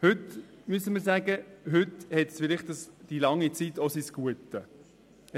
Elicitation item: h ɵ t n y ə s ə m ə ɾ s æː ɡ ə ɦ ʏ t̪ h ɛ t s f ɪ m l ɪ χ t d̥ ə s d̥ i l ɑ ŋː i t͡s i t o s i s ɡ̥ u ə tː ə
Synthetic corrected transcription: h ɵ t m y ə s ə m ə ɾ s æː ɡ ə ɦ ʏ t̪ h ɛ t s f ɪ l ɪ χ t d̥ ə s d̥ i l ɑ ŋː i t͡s i t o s i s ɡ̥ u ə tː ə